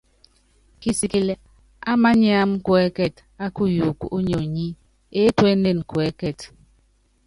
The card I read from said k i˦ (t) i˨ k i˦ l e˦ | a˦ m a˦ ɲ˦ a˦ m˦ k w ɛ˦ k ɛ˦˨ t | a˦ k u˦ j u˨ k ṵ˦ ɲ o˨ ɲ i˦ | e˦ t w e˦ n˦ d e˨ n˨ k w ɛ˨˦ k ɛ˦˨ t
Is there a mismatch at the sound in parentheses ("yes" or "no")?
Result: yes